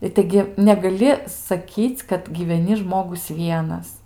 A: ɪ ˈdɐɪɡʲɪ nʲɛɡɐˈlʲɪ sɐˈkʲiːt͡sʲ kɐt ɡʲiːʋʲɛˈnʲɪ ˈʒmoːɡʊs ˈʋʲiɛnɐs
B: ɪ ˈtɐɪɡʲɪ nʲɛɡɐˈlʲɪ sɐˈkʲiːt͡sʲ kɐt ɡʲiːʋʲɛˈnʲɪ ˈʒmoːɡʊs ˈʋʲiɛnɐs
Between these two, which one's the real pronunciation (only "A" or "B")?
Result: B